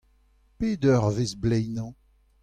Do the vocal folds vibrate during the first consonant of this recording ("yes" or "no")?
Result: no